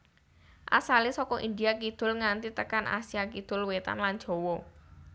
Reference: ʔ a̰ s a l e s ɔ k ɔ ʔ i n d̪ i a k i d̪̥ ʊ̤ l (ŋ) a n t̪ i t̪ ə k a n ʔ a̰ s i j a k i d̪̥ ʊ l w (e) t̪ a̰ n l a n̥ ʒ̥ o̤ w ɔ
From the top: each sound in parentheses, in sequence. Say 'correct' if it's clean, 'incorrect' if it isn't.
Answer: correct, correct

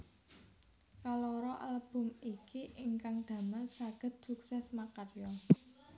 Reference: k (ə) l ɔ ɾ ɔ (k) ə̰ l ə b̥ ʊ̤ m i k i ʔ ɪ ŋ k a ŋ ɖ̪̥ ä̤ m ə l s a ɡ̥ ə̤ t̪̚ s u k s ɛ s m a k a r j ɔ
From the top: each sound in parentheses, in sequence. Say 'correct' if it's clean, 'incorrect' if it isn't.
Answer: incorrect, incorrect

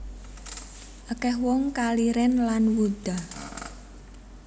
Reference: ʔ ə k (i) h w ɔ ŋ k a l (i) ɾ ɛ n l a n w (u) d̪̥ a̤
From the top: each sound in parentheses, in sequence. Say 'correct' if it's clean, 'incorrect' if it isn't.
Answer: incorrect, correct, correct

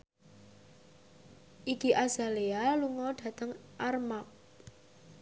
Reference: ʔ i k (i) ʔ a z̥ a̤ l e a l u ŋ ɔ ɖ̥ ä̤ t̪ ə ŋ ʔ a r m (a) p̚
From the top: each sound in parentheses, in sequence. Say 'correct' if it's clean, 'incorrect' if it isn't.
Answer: correct, correct

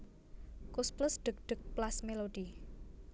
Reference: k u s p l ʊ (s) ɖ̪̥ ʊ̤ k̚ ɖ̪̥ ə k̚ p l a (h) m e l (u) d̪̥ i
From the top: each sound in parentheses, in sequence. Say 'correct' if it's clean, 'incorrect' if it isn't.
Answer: correct, incorrect, incorrect

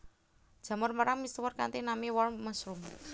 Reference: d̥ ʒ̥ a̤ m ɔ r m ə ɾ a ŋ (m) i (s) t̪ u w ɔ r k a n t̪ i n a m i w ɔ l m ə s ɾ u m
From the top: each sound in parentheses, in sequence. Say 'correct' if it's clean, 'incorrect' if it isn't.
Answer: correct, correct

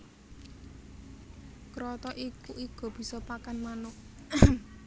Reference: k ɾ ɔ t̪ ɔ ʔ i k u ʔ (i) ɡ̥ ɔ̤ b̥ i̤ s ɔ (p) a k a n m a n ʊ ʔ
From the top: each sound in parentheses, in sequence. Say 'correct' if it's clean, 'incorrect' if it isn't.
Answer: correct, correct

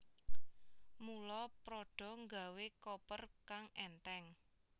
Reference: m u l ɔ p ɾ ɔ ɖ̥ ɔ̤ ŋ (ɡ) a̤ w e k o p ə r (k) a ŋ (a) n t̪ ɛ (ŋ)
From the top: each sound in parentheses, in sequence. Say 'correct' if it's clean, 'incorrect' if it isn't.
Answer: correct, correct, incorrect, correct

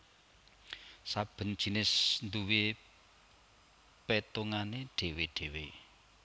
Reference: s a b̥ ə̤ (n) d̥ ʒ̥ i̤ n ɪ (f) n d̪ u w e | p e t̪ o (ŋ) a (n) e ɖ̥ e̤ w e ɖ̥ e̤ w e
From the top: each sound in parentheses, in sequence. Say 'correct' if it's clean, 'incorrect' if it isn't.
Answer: correct, incorrect, correct, correct

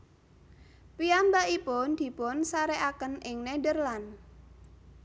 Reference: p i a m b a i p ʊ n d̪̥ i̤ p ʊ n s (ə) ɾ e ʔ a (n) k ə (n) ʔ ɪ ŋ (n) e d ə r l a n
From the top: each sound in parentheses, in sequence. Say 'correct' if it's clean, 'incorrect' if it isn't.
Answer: incorrect, incorrect, correct, correct

